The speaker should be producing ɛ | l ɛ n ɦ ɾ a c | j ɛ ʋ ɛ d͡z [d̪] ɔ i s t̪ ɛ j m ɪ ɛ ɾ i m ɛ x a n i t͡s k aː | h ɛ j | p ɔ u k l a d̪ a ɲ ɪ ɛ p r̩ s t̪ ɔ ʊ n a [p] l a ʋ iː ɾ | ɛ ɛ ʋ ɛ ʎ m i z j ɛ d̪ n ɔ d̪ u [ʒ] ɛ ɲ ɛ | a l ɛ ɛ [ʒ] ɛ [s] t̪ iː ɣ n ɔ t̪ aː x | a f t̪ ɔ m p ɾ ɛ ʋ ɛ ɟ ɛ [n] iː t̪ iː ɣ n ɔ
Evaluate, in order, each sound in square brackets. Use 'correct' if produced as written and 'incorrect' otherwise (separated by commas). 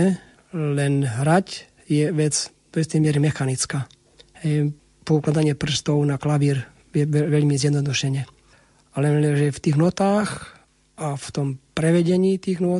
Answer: correct, incorrect, incorrect, correct, incorrect, incorrect